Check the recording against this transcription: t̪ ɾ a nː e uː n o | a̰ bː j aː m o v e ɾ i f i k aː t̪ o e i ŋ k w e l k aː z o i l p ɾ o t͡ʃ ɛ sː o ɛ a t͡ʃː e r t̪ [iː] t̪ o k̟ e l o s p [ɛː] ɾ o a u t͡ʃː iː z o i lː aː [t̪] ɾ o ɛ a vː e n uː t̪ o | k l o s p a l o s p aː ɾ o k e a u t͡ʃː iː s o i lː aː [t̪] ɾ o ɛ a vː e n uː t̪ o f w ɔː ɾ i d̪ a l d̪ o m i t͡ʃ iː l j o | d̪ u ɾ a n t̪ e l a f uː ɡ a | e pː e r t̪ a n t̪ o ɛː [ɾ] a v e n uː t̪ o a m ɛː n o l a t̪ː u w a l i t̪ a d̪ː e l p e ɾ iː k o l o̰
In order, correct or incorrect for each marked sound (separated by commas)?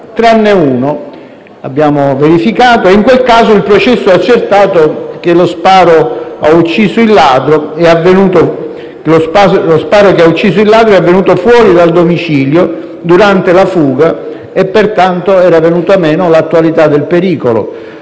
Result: incorrect, incorrect, incorrect, incorrect, correct